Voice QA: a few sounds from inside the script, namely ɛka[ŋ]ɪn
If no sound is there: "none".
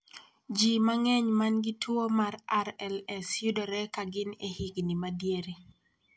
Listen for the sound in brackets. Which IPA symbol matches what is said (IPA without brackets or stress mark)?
ɡ